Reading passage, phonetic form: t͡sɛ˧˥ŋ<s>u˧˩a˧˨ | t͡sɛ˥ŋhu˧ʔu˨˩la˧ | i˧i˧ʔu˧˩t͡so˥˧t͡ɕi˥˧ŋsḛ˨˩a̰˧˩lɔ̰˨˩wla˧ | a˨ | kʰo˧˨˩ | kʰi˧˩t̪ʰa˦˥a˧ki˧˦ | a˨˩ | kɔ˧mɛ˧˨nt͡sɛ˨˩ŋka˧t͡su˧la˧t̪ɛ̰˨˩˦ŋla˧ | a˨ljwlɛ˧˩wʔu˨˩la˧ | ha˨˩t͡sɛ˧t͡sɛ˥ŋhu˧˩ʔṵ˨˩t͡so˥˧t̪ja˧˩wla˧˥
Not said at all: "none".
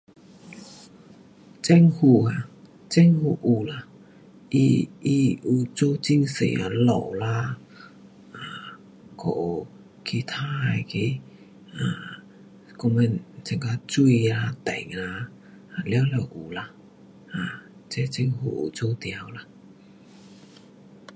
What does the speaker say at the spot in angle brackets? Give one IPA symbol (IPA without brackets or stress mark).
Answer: h